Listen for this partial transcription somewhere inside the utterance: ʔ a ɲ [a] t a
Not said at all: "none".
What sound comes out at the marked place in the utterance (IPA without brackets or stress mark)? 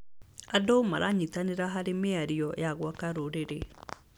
i